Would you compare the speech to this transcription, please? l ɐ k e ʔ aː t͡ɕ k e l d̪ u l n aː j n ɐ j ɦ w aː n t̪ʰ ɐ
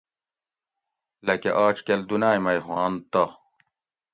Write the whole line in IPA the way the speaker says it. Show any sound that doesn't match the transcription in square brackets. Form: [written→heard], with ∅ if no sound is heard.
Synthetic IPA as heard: l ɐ k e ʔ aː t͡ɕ k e l d̪ u [l→∅] n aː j [n→m] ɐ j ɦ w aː n [t̪ʰ→t̪] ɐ

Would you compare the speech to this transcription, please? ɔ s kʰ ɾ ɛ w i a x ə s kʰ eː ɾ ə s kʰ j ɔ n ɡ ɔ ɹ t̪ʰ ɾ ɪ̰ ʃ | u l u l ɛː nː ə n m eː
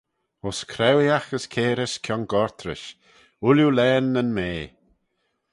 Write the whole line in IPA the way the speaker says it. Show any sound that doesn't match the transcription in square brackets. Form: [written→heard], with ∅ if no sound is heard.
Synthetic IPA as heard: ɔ s kʰ ɾ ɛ w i a x ə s kʰ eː ɾ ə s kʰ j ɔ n ɡ ɔ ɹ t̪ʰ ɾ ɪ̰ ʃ | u l u l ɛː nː ə n m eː

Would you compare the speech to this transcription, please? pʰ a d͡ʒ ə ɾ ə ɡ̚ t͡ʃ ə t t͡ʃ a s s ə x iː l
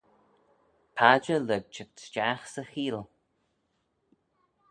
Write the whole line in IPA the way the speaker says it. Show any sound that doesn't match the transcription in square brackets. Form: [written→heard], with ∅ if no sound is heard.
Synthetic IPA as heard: pʰ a d͡ʒ ə [ɾ→l] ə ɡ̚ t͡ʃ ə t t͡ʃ a [s→x] s ə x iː l

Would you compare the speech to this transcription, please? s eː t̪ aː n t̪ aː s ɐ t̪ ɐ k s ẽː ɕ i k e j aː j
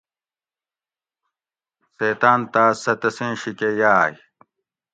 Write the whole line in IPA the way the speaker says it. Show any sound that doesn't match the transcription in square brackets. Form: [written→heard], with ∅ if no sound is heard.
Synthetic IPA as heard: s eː t̪ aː n t̪ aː s ɐ t̪ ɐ [k→∅] s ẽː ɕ i k e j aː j

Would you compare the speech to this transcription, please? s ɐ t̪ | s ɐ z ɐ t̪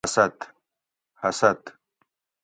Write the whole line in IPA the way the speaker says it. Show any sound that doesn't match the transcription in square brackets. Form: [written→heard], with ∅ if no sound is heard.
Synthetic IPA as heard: s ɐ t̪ | [s→h] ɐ [z→s] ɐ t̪

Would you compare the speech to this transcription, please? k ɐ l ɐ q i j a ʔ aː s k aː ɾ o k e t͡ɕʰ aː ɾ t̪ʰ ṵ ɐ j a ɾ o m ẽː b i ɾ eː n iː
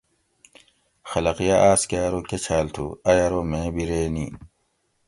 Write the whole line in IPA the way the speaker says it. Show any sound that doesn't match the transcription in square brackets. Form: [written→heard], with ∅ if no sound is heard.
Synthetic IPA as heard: [k→x] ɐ l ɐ q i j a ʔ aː s k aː ɾ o k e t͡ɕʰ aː [ɾ→l] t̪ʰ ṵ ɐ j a ɾ o m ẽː b i ɾ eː n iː

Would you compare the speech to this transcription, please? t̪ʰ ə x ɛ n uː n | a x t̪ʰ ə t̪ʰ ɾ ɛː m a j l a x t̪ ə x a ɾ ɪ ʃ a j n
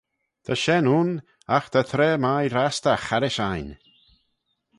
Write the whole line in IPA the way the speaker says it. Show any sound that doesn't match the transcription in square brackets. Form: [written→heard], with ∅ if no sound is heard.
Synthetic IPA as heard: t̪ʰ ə [x→ʃ] ɛ n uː n | a x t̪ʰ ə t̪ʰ ɾ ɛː m a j [l→ɾ] a [x→s] t̪ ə x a ɾ ɪ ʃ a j n

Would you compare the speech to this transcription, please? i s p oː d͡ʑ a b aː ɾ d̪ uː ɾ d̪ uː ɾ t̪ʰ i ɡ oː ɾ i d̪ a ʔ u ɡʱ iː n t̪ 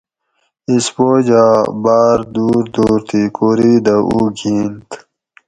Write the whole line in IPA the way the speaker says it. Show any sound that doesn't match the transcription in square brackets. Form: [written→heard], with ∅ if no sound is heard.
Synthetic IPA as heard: i s p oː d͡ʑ a b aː ɾ d̪ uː ɾ d̪ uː ɾ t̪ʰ i [ɡ→k] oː ɾ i d̪ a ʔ u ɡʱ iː n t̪

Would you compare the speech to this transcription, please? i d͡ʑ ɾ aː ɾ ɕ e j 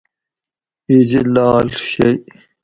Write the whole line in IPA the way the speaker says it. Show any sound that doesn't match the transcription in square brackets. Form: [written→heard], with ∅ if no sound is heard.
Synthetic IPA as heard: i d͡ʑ [ɾ→l] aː [ɾ→l] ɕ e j

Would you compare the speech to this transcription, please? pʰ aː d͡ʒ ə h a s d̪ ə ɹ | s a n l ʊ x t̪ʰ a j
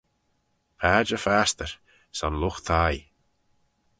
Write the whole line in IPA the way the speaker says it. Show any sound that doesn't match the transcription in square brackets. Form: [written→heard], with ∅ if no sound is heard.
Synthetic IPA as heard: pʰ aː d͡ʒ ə [h→f] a s [d̪→t̪] ə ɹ | s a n l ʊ x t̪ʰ a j

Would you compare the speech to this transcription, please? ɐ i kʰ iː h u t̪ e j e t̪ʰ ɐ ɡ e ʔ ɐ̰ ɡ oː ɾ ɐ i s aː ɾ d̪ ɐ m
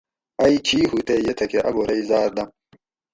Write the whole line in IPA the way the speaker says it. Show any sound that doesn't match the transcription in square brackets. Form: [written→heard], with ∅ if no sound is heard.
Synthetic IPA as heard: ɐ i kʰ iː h u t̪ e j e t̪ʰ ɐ [ɡ→k] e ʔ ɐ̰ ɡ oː ɾ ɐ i [s→z] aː ɾ d̪ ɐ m

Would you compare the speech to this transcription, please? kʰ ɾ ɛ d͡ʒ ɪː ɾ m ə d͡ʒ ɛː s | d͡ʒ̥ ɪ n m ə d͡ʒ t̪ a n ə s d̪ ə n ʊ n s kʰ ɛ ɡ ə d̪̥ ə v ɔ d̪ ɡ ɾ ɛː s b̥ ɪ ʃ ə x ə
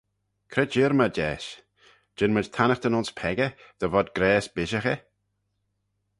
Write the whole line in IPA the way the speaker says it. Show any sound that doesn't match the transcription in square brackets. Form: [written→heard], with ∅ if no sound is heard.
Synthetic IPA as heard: kʰ ɾ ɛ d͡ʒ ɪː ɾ m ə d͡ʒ ɛː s | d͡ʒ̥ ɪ n m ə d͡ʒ [t̪→t̪ʰ] a n ə [s→x] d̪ ə n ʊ n s [kʰ→pʰ] ɛ ɡ ə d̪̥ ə v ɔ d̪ ɡ ɾ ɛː s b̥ ɪ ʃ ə x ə

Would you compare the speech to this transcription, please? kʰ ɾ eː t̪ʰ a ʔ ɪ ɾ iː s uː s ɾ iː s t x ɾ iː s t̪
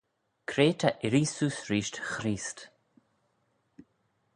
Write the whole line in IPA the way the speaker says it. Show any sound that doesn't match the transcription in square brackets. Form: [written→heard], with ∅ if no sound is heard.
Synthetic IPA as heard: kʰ ɾ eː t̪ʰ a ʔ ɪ ɾ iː s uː s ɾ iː [s→ʃ] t x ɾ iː s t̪

